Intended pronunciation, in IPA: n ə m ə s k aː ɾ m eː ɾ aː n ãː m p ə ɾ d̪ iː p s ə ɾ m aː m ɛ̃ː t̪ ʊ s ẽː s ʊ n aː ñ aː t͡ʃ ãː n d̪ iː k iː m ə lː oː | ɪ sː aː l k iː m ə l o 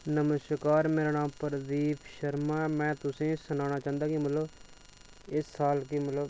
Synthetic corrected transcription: n ə m ə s k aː ɾ m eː ɾ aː n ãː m p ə ɾ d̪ iː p ʃ ə ɾ m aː m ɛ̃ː t̪ ʊ s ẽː s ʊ n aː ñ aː t͡ʃ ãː n d̪ aː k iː m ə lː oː | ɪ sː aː l k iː m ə l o